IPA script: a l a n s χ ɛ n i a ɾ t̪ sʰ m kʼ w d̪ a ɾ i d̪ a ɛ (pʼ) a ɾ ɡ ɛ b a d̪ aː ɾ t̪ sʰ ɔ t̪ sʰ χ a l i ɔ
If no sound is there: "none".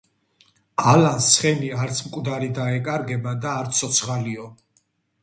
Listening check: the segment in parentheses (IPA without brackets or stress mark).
kʼ